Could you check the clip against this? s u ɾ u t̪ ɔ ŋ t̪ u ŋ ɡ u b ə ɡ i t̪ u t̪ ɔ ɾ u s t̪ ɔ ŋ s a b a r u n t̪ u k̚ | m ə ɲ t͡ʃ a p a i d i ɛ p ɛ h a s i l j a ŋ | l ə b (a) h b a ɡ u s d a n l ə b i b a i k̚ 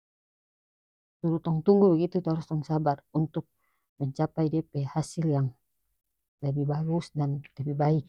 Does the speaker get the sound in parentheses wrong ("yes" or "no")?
yes